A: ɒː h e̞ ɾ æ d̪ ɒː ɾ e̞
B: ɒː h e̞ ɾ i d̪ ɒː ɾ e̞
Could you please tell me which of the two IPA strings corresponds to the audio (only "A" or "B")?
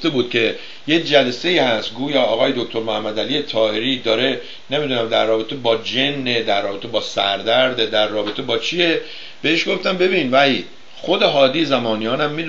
B